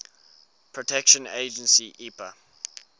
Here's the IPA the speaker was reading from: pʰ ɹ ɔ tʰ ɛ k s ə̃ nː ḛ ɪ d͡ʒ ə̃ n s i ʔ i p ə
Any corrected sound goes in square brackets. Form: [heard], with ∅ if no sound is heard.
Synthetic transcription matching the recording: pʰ ɹ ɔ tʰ ɛ k [ʃ] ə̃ [n] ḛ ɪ d͡ʒ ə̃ n s i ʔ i p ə